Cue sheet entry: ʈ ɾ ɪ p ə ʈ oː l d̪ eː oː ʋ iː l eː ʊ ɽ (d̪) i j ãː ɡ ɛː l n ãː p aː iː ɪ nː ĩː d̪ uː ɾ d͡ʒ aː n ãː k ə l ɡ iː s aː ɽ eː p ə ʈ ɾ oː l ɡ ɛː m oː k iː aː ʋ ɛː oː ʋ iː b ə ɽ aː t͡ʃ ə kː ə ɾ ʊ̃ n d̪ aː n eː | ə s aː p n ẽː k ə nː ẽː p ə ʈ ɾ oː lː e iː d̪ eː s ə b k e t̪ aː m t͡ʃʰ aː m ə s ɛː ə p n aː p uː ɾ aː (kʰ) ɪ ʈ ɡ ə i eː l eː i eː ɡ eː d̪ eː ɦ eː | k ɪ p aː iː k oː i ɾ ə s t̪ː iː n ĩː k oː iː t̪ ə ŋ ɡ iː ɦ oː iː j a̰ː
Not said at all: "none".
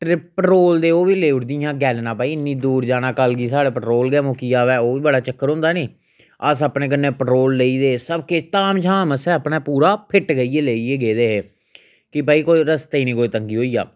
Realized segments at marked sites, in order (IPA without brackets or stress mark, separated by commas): d̪, pʰ